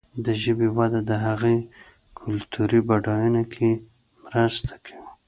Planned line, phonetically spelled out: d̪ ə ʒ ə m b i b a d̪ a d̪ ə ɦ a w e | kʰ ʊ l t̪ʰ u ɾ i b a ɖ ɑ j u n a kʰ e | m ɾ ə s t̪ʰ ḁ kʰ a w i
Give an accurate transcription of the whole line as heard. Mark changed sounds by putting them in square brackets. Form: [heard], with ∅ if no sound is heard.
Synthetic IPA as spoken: d̪ ə ʒ ə [∅] b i [w] a d̪ a d̪ ə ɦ a [ɣ] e | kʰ ʊ l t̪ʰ u ɾ i b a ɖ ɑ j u n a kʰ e | m ɾ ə s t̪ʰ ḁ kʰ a w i